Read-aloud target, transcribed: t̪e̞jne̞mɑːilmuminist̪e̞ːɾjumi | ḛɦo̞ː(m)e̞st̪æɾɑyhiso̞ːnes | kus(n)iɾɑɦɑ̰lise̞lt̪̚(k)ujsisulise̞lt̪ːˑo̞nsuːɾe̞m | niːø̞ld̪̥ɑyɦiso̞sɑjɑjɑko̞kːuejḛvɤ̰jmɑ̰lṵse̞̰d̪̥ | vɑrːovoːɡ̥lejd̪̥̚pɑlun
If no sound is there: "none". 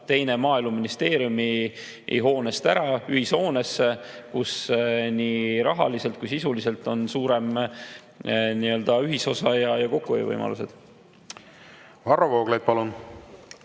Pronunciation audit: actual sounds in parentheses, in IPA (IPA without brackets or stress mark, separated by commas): n, n, k